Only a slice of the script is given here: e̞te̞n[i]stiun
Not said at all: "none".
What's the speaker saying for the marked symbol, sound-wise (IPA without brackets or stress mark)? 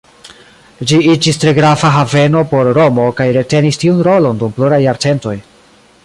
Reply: i